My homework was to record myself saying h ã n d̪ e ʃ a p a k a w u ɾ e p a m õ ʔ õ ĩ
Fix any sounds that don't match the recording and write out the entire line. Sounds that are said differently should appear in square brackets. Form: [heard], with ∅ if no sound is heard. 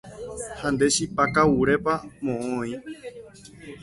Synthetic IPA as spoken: h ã n d̪ e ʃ [i] p a k a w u ɾ e p a m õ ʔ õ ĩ

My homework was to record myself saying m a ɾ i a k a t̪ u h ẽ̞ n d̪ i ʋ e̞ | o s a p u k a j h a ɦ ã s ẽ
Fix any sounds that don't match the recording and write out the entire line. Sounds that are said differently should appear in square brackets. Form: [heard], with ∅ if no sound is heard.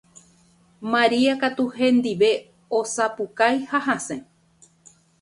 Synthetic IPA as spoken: m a ɾ i a k a t̪ u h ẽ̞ n d̪ i ʋ e̞ | o s a p u k a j h a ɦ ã s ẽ

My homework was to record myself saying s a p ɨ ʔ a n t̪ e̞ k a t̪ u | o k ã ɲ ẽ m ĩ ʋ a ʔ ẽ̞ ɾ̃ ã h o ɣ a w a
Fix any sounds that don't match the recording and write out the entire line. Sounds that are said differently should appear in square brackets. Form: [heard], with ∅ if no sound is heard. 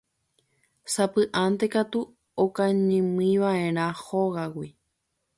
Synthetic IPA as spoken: s a p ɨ ʔ a n t̪ e̞ k a t̪ u | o k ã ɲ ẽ m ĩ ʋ a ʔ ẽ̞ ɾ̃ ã h o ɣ a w [i]

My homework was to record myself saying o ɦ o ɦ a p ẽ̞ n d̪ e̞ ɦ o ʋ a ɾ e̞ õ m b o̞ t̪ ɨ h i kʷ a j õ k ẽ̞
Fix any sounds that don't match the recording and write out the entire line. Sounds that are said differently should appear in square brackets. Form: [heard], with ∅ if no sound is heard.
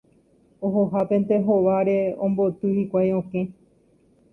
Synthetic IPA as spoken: o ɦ o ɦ a p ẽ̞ n [t̪] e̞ ɦ o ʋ a ɾ e̞ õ m b o̞ t̪ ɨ h i kʷ a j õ k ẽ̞

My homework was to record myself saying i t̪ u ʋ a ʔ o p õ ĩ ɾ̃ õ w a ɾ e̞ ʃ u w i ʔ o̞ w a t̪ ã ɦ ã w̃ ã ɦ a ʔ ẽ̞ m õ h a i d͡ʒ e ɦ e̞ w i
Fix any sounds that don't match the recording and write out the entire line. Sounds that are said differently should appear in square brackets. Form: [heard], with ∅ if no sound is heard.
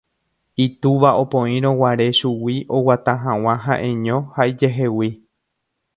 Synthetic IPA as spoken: i t̪ u ʋ a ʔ o p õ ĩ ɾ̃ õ w a ɾ e̞ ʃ u w i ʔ o̞ w a t̪ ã ɦ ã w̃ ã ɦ a ʔ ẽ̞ [ɲ] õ h a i d͡ʒ e ɦ e̞ w i

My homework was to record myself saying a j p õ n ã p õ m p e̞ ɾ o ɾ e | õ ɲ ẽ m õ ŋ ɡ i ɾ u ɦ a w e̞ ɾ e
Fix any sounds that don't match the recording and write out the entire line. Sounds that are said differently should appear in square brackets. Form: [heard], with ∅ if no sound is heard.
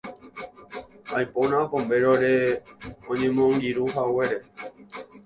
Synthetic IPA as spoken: a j p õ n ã p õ m [b] e̞ ɾ o ɾ e | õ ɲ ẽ m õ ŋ ɡ i ɾ u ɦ a w e̞ ɾ e

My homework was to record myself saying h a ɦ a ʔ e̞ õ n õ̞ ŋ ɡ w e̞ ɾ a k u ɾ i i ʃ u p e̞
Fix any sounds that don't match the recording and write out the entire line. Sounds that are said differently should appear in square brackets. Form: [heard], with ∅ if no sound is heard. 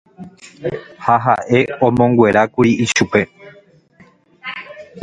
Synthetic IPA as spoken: h a ɦ a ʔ e̞ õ [m] õ̞ ŋ ɡ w e̞ ɾ a k u ɾ i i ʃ u p e̞

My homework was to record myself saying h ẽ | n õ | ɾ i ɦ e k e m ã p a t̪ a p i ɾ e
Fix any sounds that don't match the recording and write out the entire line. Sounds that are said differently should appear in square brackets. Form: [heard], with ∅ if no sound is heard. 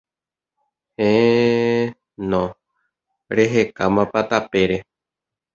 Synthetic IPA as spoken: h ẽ | n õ | ɾ [e] ɦ e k [a] m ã p a t̪ a p [e] ɾ e

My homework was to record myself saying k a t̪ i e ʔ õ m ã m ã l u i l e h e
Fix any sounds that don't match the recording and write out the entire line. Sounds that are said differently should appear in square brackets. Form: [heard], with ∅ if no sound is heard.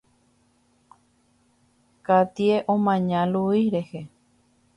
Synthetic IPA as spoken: k a t̪ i e ʔ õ m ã [ɲ] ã l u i [ɾ] e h e

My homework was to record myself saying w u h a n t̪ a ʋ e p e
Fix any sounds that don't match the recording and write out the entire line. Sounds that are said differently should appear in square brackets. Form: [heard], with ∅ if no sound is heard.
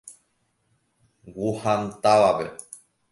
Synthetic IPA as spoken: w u h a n t̪ a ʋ [a] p e

